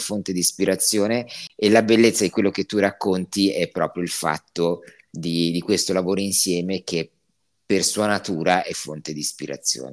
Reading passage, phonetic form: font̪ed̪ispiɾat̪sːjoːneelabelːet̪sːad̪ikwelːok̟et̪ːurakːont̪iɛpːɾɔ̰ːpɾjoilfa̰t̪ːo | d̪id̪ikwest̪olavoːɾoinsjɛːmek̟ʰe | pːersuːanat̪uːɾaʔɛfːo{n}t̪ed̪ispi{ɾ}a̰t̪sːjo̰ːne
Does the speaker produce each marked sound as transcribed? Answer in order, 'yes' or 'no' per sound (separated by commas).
yes, yes